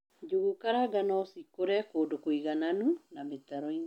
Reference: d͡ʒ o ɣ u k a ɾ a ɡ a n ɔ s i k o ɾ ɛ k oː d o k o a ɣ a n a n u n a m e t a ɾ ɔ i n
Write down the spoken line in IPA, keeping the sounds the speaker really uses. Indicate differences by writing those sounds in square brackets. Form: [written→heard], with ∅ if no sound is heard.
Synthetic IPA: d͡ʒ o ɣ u k a ɾ a ɡ a n ɔ s i k o ɾ ɛ k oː d o k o [a→i] ɣ a n a n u n a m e t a ɾ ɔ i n